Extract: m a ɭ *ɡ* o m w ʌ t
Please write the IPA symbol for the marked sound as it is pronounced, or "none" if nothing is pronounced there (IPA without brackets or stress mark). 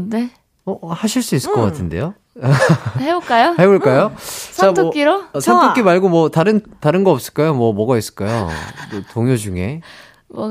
ɡ